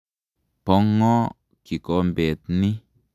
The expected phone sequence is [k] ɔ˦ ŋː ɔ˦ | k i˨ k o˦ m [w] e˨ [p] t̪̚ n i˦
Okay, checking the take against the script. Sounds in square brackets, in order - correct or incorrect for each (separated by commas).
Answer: incorrect, incorrect, incorrect